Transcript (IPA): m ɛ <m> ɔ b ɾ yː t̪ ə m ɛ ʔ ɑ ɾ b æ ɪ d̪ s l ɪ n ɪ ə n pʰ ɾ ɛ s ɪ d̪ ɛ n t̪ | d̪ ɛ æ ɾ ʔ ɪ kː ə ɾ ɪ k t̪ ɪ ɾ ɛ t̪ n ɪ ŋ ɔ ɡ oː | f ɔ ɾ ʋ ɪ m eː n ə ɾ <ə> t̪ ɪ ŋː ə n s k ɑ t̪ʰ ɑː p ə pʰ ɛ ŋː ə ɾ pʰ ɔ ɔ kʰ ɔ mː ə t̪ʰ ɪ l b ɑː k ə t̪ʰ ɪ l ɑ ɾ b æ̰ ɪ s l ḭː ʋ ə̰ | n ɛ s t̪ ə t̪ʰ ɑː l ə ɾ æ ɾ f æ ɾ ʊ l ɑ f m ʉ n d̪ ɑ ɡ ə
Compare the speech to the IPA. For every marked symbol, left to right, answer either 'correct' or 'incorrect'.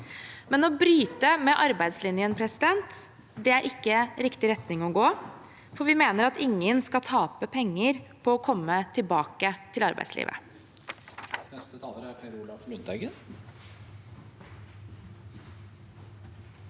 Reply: incorrect: n, incorrect: ɑ

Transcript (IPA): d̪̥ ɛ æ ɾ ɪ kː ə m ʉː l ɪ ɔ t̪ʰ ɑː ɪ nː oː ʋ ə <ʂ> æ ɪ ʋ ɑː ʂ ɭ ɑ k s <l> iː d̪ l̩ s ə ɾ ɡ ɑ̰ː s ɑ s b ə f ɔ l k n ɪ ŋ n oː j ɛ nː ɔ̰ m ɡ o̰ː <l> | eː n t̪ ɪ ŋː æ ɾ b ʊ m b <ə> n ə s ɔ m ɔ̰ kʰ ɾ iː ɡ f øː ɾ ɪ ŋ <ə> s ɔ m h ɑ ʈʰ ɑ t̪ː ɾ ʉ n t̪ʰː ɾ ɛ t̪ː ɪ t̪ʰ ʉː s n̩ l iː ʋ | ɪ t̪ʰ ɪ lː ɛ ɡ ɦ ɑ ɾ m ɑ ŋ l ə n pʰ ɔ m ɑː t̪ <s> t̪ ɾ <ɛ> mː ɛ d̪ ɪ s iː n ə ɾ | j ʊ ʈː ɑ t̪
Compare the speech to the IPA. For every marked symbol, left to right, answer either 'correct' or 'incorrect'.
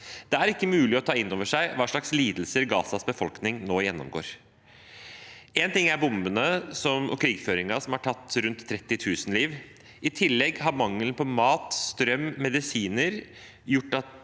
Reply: correct, correct, incorrect: ɾ, correct, incorrect: ɑ, correct, incorrect: œ

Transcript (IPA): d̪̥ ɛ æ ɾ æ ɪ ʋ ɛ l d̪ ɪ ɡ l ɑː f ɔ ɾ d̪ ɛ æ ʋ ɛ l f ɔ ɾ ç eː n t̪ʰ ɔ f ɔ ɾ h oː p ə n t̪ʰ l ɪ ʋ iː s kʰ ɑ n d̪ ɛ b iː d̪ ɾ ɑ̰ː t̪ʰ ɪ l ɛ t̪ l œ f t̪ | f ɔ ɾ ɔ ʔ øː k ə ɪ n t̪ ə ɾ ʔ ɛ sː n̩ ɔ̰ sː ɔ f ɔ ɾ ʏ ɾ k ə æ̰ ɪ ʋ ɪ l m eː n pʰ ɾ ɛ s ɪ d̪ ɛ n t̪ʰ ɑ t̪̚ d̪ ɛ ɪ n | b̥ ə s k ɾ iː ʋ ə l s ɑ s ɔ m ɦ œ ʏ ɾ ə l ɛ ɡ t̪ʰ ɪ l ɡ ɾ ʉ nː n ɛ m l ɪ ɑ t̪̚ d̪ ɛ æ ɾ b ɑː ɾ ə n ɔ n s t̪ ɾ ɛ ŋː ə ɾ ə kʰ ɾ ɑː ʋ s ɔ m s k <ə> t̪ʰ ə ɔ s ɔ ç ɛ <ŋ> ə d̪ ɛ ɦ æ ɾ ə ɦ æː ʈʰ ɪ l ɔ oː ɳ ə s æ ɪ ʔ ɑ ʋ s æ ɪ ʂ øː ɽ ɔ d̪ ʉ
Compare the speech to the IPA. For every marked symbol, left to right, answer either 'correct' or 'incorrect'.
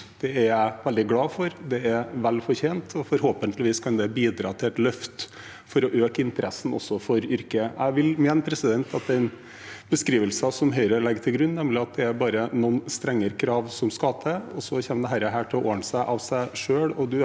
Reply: incorrect: ɑ, incorrect: m

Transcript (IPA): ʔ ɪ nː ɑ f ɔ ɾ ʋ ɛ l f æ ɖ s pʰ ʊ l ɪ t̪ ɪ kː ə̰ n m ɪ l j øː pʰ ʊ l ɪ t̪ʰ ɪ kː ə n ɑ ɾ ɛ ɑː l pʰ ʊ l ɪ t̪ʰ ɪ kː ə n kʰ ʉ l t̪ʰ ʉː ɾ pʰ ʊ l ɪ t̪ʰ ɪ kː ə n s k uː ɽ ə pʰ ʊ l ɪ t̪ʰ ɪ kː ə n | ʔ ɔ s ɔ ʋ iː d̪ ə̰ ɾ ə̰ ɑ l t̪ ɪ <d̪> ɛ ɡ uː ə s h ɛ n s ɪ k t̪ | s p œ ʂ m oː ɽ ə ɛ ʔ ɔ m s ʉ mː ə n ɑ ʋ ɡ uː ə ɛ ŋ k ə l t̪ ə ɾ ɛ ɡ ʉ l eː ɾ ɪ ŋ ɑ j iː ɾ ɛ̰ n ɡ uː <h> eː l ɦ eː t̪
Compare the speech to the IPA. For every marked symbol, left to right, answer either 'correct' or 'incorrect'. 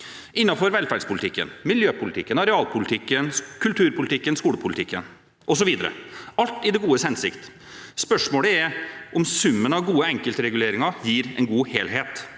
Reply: correct, correct

